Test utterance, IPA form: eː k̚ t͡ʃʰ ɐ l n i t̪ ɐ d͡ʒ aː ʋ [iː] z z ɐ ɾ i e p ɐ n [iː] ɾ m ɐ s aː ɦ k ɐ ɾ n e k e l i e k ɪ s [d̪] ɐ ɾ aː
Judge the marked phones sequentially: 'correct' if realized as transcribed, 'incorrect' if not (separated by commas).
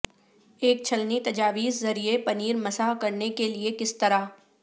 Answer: correct, correct, incorrect